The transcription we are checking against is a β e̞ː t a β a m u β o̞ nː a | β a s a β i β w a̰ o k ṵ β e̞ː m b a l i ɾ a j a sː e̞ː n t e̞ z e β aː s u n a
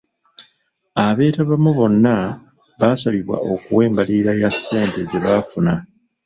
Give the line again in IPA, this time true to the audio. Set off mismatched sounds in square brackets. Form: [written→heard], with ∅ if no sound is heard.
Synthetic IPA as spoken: a β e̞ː t a β a m u β o̞ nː a | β a s a β i β w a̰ o k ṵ [β→w] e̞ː m b a l i ɾ a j a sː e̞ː n t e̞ z e β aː [s→f] u n a